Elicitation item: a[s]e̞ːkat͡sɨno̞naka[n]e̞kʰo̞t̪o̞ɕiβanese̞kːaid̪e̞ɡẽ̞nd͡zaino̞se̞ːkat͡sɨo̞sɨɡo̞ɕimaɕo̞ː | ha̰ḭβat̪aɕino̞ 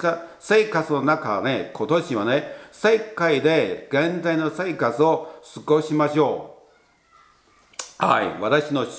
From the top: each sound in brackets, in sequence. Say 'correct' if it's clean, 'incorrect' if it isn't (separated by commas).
correct, correct